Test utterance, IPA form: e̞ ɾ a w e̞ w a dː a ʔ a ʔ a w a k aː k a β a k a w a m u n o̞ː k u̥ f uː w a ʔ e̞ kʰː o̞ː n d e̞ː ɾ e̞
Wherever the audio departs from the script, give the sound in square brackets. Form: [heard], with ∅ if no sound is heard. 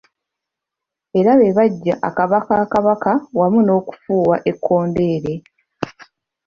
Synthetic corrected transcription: e̞ ɾ a [β] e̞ [β] a [ɟː] a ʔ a [k] a [β] a k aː k a β a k a w a m u n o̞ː k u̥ f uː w a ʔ e̞ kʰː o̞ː n d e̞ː ɾ e̞